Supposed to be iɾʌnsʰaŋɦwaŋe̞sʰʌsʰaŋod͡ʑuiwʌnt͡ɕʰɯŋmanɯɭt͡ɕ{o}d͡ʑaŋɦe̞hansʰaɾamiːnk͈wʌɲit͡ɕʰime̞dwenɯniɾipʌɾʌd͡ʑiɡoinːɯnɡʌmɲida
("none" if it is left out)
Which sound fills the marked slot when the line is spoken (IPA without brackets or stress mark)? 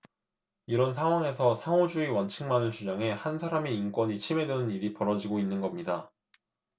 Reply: u